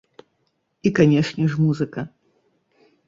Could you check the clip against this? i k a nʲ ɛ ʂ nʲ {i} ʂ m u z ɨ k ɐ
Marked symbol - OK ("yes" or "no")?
no